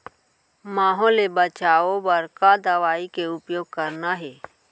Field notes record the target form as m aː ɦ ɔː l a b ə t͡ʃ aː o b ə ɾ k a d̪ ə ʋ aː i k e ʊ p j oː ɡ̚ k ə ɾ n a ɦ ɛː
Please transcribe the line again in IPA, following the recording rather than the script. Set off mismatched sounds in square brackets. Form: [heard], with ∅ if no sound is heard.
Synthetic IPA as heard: m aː ɦ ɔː l [e] b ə t͡ʃ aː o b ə ɾ k a d̪ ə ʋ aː i k e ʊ p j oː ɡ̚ k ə ɾ n a ɦ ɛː